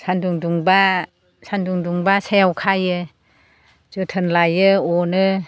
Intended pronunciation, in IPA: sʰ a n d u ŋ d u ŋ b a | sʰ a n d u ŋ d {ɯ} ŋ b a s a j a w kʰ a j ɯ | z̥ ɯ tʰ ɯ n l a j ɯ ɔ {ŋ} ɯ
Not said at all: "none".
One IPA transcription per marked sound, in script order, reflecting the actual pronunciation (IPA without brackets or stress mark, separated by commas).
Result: u, n